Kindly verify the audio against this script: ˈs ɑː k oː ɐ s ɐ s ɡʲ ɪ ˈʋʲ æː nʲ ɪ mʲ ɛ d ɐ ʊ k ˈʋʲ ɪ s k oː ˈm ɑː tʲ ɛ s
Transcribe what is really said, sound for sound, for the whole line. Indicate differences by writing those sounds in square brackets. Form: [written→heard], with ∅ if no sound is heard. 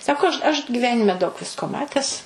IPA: ˈs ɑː k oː ɐ [s→ʃ] ɐ [s→ʃ] ɡʲ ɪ ˈʋʲ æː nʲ ɪ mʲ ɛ d ɐ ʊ k ˈʋʲ ɪ s k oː ˈm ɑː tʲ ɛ s